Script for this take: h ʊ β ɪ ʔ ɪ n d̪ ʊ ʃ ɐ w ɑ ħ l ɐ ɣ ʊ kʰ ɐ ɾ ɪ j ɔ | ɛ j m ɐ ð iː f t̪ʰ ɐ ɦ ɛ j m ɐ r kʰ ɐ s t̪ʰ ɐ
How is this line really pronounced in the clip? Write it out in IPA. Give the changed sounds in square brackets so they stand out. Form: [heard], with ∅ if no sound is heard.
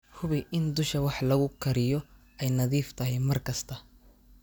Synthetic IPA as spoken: h ʊ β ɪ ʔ ɪ n d̪ ʊ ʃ ɐ w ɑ ħ l ɐ ɣ ʊ kʰ ɐ ɾ ɪ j ɔ | ɛ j [n] ɐ ð iː f t̪ʰ ɐ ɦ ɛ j m ɐ r kʰ ɐ s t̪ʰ ɐ